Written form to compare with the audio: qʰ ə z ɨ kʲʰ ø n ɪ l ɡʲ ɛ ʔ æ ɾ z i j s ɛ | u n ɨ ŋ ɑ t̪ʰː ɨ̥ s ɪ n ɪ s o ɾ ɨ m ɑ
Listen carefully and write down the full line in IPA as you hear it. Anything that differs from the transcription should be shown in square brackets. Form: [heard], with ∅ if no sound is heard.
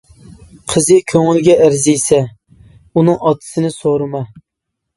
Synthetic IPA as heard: qʰ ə z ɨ kʲʰ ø [ŋ] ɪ l ɡʲ ɛ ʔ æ ɾ z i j s ɛ | u n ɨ ŋ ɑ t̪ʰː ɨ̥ s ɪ n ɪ s o ɾ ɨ m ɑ